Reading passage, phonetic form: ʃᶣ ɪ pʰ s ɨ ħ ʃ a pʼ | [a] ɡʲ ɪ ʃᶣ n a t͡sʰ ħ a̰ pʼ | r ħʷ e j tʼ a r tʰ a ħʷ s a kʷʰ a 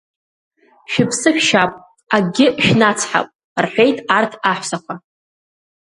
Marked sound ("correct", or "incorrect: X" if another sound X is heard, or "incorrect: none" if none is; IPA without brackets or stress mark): correct